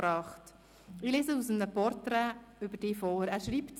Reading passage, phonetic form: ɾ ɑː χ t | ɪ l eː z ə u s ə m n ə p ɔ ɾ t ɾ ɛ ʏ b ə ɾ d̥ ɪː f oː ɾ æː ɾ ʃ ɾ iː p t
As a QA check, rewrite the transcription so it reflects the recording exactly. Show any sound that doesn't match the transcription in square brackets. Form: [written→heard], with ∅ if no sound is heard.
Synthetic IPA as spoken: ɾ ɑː χ t | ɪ l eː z ə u s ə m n ə p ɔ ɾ t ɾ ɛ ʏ b ə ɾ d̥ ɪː f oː ɾ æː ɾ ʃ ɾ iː p t